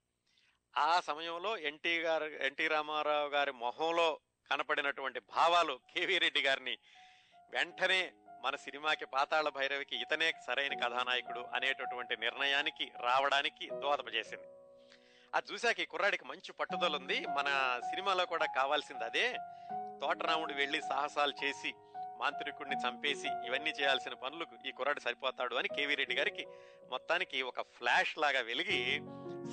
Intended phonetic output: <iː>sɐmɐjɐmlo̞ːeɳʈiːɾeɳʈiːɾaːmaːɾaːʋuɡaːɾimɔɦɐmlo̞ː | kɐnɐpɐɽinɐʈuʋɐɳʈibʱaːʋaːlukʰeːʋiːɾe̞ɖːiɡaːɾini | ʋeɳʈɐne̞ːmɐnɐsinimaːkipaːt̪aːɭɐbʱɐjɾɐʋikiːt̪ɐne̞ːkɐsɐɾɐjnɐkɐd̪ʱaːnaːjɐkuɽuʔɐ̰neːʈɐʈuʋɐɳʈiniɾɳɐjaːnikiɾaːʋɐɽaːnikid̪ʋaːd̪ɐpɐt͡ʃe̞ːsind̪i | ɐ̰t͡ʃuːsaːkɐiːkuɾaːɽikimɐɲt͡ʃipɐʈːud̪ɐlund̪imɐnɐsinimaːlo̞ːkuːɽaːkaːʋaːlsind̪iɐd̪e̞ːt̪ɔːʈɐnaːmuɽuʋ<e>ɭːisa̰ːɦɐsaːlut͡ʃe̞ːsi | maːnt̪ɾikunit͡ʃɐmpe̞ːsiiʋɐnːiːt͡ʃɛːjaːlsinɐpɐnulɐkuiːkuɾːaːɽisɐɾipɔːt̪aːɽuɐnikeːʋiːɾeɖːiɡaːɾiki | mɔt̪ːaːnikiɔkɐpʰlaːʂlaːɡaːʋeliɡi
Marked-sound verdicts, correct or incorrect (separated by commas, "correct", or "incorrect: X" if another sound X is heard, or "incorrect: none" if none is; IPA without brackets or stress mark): incorrect: aː, correct